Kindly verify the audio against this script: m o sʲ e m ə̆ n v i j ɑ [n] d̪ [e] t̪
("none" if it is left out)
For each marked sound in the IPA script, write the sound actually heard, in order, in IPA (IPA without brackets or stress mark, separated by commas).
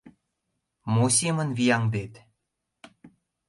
ŋ, e